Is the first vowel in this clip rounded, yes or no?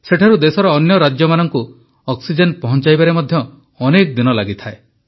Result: no